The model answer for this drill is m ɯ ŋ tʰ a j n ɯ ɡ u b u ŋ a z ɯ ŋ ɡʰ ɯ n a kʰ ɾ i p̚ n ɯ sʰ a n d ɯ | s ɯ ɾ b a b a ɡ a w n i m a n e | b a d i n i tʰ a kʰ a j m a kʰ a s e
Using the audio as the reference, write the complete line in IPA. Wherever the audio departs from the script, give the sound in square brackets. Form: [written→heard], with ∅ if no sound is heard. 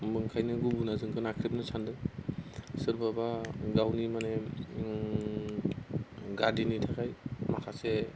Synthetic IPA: m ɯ ŋ [tʰ→kʰ] a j n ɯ ɡ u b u [ŋ→n] a z ɯ ŋ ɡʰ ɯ n a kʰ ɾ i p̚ n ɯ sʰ a n d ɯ | s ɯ ɾ b a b a ɡ a w n i m a n e | [b→ɡ] a d i n i tʰ a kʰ a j m a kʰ a s e